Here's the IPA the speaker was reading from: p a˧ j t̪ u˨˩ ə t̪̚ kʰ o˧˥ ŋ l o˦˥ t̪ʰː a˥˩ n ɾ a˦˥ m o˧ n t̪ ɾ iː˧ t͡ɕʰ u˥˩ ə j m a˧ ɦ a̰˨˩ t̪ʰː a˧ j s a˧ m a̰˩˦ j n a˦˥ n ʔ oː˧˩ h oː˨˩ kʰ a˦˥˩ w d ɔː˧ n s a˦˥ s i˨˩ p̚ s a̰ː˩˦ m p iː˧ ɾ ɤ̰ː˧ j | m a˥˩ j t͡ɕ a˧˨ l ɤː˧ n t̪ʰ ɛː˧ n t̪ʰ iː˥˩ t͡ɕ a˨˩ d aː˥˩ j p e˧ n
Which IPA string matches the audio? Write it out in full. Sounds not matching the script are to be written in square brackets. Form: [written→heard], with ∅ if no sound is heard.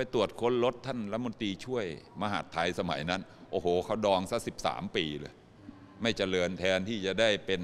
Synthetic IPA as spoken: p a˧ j t̪ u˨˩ ə t̪̚ kʰ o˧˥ [ŋ→n] l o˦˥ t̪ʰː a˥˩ n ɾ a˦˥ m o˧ n t̪ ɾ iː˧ t͡ɕʰ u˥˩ ə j m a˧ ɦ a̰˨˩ t̪ʰː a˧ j s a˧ m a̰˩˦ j n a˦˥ n ʔ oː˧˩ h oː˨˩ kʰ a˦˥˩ w d ɔː˧ [n→ŋ] s a˦˥ s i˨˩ p̚ s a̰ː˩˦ m p iː˧ [ɾ→l] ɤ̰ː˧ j | m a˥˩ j t͡ɕ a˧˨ l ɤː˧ n t̪ʰ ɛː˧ n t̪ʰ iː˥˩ t͡ɕ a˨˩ d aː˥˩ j p e˧ n